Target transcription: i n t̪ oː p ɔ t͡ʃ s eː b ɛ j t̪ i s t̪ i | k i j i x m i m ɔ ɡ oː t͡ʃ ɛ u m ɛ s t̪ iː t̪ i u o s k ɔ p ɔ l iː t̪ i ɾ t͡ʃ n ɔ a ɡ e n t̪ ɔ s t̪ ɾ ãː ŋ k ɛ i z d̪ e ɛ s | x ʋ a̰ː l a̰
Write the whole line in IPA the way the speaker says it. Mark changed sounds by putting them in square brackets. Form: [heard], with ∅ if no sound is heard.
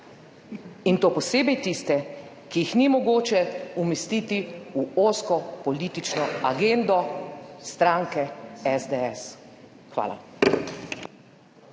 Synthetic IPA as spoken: i n t̪ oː p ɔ [∅] s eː b ɛ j t̪ i s t̪ [ɛ] | k i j i x [n] i m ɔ ɡ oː t͡ʃ ɛ u m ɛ s t̪ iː t̪ i u o s k ɔ p ɔ l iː t̪ i [∅] t͡ʃ n ɔ a ɡ e n [d̪] ɔ s t̪ ɾ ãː ŋ k ɛ [ɛ] z d̪ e ɛ s | x ʋ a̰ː l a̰